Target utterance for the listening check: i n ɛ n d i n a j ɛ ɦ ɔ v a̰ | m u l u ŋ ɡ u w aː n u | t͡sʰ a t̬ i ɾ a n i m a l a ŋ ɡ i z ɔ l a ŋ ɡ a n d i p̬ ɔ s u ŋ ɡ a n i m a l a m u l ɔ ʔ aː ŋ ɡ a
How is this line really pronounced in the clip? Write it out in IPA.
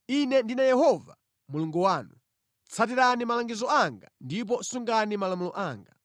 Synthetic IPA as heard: i n ɛ n d i n a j ɛ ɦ ɔ v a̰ | m u l u ŋ ɡ u w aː n u | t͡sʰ a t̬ i ɾ a n i m a l a ŋ ɡ i z ɔ a ŋ ɡ a n d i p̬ ɔ s u ŋ ɡ a n i m a l a m u l ɔ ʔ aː ŋ ɡ a

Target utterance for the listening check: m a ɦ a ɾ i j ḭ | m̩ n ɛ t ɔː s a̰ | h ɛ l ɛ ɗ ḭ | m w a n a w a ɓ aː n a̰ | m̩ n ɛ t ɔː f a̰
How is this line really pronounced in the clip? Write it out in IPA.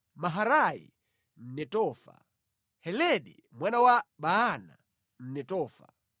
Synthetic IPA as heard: m a ɦ a ɾ a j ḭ | m̩ n ɛ t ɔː f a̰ | h ɛ l ɛ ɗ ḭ | m w a n a w a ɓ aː n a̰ | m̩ n ɛ t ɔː f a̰

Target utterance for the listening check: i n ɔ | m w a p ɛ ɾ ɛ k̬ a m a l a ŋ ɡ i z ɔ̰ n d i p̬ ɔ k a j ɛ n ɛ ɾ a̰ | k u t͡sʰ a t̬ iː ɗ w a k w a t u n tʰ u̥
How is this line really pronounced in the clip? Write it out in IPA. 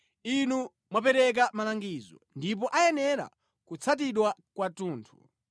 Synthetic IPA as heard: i n u | m w a p ɛ ɾ ɛ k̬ a m a l a ŋ ɡ i z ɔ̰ n d i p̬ ɔ ʔ a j ɛ n ɛ ɾ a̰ | k u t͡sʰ a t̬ i ɗ w a k w a t uː n tʰ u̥

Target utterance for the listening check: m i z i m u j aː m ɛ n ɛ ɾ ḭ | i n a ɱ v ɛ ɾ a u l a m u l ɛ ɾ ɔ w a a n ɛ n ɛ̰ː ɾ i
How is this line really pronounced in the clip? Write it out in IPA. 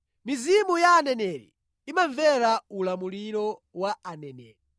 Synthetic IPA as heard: m i z i m u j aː n ɛ n ɛ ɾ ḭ | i m a ɱ v ɛ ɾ a u l a m u l i ɾ ɔ w a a n ɛ n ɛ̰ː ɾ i

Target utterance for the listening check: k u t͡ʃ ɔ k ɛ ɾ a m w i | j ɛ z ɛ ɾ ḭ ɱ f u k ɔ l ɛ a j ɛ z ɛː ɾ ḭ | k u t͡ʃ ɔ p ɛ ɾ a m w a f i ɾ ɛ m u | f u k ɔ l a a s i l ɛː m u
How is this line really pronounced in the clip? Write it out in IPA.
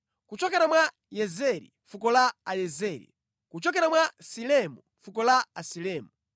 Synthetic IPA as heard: k u t͡ʃ ɔ k ɛ ɾ a m w a | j ɛ z ɛ ɾ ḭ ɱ f u k ɔ l a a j ɛ z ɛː ɾ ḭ | k u t͡ʃ ɔ k ɛ ɾ a m w a s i l ɛ m u | f u k ɔ l a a s i l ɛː m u

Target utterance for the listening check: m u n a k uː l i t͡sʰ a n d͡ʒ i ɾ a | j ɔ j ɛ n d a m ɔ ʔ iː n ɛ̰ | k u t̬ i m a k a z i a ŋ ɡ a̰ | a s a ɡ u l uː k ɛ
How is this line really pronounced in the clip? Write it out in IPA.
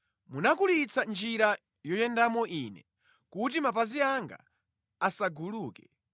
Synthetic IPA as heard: m u n a k u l i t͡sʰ a n d͡ʒ i ɾ a | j ɔ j ɛ n d a m ɔ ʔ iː n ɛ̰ | k u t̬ i m a p a z i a ŋ ɡ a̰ | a s a ɡ u l uː k ɛ

